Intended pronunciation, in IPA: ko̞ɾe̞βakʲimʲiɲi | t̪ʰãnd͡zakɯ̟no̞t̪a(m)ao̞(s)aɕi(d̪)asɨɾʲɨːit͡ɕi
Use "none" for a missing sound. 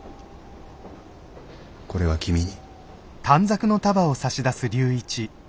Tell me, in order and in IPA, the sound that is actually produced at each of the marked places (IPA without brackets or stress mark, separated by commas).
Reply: b, s, d̪